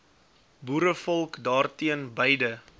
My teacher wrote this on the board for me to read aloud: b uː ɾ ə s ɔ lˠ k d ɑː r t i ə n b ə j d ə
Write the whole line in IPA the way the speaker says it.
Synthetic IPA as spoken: b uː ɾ ə f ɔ lˠ k d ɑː r t i ə n b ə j d ə